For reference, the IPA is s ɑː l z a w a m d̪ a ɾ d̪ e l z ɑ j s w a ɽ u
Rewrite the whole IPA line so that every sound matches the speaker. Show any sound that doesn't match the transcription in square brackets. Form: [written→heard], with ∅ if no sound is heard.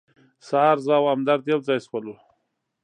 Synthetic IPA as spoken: s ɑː [l→ɾ] z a w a m d̪ a ɾ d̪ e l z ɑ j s w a [ɽ→l] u